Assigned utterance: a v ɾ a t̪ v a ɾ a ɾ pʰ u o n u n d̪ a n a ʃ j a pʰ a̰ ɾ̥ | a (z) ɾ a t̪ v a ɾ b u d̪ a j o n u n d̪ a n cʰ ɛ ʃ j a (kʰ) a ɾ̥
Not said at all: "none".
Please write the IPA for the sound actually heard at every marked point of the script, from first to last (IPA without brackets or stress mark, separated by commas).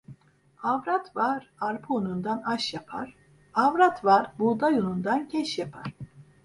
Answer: v, pʰ